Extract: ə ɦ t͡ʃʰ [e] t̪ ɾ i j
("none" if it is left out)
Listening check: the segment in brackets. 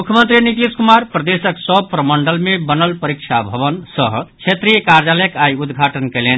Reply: e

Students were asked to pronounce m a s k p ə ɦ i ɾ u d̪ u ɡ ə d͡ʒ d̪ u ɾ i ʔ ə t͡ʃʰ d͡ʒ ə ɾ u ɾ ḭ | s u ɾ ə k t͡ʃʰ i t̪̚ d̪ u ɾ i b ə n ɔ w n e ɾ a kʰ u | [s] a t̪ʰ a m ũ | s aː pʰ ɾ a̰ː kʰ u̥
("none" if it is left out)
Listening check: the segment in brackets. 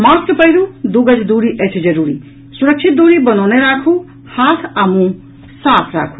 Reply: h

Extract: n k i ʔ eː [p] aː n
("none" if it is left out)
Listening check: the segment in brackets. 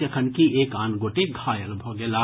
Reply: k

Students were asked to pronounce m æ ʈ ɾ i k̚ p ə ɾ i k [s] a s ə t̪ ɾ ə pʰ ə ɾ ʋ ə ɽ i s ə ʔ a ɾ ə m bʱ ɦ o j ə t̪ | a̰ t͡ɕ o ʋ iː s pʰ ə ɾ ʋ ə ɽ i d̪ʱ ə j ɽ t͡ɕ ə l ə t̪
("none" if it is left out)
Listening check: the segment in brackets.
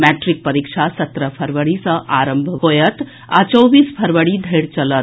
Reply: ʂ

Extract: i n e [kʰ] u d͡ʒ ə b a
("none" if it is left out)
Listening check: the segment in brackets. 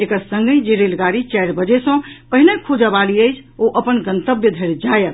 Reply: kʰ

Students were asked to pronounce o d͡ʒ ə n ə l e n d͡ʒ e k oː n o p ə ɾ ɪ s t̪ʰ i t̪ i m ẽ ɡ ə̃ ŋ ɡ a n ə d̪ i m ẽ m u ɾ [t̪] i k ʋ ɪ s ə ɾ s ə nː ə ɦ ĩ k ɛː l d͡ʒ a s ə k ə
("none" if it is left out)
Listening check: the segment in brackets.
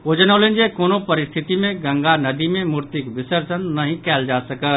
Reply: t̪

